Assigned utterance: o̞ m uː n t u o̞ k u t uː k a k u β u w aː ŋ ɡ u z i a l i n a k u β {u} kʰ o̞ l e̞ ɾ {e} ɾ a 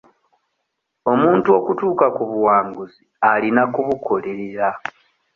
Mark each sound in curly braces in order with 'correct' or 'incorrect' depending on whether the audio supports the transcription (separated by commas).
correct, correct